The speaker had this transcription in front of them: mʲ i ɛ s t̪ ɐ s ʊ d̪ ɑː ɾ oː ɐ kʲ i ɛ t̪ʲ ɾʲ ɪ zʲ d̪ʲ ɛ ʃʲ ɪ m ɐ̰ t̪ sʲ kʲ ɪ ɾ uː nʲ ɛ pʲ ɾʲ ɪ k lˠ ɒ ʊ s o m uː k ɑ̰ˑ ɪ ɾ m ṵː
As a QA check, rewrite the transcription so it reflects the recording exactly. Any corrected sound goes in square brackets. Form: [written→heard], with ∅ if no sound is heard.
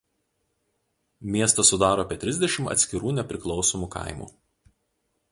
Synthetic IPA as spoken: mʲ i ɛ s t̪ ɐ s ʊ d̪ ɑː ɾ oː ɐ [kʲ→pʲ] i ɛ t̪ʲ ɾʲ ɪ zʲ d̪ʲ ɛ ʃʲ ɪ m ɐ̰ t̪ sʲ kʲ ɪ ɾ uː nʲ ɛ pʲ ɾʲ ɪ k lˠ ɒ ʊ s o m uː k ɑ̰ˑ ɪ [ɾ→∅] m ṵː